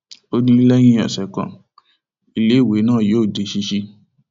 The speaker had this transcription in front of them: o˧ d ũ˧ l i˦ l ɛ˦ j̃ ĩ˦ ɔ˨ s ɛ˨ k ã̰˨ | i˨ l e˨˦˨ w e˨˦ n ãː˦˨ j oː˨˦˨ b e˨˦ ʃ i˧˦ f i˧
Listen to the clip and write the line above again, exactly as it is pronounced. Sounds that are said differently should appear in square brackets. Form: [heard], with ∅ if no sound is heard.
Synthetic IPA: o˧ d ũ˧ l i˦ l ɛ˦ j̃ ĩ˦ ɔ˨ s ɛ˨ k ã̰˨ | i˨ l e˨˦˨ w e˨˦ n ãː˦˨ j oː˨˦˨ [d] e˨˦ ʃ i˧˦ [ʃ] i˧